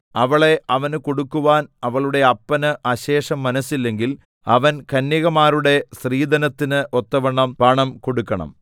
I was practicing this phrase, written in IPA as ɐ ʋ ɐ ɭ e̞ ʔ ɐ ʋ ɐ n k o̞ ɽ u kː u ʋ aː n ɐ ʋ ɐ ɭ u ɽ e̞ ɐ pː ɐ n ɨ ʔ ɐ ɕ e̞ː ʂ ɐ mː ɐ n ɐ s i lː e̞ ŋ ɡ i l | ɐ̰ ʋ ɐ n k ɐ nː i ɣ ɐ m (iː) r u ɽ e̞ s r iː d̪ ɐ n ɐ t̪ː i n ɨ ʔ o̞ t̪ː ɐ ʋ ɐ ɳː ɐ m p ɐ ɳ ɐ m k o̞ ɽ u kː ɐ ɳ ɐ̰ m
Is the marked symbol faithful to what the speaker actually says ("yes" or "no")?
no